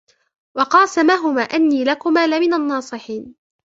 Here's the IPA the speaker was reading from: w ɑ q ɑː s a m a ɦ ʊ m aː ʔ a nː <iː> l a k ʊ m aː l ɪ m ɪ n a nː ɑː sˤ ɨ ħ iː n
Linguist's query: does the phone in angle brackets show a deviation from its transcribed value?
no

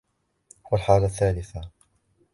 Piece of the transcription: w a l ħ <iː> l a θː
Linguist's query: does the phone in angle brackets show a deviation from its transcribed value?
yes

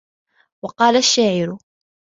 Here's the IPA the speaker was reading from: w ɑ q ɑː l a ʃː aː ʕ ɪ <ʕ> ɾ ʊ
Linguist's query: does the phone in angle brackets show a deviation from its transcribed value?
yes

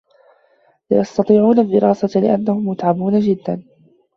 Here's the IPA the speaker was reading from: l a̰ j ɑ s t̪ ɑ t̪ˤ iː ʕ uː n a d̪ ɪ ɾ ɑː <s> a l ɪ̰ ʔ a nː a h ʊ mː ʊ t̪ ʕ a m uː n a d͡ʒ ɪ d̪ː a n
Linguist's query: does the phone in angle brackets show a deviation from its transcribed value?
no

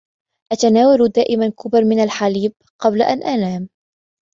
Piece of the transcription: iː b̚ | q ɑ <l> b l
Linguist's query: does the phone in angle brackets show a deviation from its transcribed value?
yes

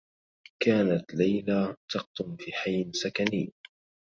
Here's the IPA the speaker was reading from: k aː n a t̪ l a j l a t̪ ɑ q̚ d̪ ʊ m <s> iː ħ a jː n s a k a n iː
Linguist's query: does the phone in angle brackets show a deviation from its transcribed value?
yes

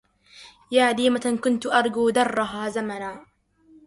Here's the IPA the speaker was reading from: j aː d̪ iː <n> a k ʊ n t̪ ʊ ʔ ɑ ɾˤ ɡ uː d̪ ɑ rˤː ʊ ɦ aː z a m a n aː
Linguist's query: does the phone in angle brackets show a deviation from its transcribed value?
yes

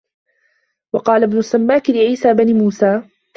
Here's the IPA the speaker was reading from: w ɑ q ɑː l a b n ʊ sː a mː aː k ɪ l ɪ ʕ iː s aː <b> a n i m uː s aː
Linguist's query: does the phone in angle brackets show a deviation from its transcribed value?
no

